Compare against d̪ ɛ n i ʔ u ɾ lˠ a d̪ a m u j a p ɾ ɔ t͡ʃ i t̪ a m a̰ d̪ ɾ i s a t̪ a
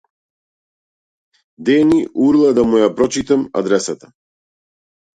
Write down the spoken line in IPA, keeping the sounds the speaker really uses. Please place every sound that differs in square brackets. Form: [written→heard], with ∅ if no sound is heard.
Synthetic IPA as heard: d̪ ɛ n i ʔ u ɾ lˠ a d̪ a m u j a p ɾ ɔ t͡ʃ i t̪ a m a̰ d̪ ɾ [i→ɛ] s a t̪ a